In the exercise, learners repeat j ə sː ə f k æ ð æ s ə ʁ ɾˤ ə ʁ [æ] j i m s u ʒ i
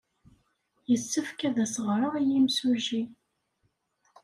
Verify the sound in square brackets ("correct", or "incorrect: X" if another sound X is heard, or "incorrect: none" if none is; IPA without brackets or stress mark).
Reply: incorrect: i